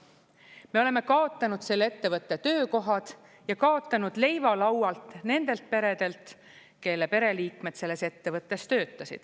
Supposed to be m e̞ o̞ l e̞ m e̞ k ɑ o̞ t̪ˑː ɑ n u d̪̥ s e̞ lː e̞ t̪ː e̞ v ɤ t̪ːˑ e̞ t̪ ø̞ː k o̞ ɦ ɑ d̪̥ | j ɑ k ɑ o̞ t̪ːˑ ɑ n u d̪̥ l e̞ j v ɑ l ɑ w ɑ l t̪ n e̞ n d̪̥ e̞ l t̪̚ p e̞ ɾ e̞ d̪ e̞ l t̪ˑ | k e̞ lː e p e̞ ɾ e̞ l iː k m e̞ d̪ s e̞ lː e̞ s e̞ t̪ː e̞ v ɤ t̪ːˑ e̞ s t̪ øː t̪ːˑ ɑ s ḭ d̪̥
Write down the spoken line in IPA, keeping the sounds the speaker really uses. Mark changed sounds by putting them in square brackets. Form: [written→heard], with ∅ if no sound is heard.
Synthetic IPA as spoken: m e̞ o̞ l e̞ m e̞ k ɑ o̞ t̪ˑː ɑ n u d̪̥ s e̞ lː e̞ t̪ː e̞ v ɤ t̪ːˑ e̞ t̪ ø̞ː k o̞ ɦ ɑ d̪̥ | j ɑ k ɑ o̞ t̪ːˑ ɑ n u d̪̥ l e̞ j v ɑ l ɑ w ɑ l t̪ n e̞ n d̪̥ e̞ l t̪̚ p e̞ ɾ e̞ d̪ e̞ l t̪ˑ | k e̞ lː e p e̞ ɾ e̞ l iː k m e̞ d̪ s e̞ lː e̞ s e̞ t̪ː e̞ v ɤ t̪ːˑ e̞ s t̪ øː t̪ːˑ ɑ s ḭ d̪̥